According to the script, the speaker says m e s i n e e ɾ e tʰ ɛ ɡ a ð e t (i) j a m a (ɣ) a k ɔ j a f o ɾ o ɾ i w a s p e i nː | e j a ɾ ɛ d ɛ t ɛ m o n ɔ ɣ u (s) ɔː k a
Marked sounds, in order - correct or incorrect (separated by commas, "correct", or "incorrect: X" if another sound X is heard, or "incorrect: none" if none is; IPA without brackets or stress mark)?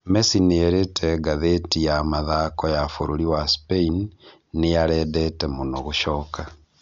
correct, incorrect: ð, incorrect: ʃ